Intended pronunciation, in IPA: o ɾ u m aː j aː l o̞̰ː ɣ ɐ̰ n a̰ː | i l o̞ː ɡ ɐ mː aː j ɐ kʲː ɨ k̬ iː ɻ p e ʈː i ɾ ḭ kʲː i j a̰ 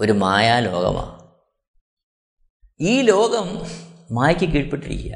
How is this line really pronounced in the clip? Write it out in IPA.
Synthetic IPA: o ɾ u m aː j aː l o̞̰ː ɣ ɐ̰ m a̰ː | iː l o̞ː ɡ ɐ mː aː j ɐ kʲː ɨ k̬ iː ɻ p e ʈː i ɾ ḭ kʲː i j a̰